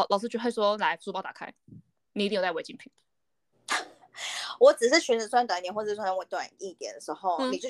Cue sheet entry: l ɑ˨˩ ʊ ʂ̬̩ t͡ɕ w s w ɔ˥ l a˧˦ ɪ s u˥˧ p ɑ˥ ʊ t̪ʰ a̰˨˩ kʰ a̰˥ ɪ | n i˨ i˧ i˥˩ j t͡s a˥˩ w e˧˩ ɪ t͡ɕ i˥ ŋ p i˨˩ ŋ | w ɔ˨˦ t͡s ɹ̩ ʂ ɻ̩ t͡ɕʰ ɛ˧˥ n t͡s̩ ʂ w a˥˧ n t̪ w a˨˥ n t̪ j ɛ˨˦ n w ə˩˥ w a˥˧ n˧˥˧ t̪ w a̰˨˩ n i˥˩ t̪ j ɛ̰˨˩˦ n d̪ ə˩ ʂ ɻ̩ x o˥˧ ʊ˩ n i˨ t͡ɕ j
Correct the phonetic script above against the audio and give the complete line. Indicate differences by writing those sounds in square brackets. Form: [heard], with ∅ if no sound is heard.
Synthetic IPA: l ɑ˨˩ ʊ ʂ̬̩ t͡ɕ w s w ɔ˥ l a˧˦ ɪ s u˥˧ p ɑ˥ ʊ [t̪] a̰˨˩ kʰ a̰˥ ɪ | n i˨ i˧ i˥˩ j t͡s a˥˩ w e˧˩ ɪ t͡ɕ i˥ ŋ [pʰ] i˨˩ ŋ | w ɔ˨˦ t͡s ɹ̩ ʂ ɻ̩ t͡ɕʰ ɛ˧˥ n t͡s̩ [s] w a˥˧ n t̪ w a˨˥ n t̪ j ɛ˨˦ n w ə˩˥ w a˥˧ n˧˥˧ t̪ w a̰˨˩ n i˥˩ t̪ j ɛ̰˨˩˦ n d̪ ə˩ ʂ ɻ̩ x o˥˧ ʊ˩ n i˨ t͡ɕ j